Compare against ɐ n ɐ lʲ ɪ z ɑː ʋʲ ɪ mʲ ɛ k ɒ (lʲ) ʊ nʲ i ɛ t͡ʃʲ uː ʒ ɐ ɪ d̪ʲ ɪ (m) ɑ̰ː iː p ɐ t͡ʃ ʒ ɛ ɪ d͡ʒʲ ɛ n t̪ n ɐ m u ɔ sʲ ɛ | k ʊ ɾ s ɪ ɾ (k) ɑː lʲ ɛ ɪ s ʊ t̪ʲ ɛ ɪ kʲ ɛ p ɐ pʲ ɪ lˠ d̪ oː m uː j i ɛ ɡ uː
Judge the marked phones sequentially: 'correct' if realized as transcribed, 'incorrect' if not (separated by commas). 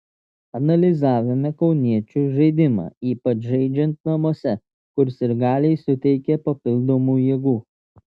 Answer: incorrect, correct, incorrect